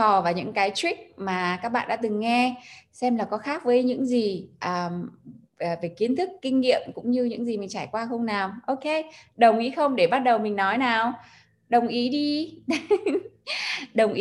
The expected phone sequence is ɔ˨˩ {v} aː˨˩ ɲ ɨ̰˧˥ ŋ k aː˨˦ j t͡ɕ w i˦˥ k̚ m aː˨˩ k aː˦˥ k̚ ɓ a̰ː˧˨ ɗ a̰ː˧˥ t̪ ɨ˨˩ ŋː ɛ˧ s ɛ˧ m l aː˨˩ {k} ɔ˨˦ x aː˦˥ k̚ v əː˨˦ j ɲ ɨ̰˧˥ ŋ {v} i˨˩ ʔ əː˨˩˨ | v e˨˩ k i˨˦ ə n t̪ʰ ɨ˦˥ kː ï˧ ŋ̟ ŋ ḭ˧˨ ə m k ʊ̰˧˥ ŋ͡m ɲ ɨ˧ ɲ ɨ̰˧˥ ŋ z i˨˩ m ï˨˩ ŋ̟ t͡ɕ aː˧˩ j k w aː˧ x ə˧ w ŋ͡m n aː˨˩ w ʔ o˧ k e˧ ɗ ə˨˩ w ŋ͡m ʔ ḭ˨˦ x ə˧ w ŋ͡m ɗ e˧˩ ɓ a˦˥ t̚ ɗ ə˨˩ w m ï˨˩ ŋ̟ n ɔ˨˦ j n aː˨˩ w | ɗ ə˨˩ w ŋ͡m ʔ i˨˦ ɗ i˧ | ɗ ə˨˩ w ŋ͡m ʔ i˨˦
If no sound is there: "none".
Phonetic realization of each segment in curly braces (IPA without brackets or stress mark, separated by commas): v, k, z